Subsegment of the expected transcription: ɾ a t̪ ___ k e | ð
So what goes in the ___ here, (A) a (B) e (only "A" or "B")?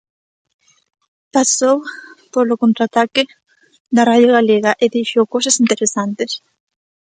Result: A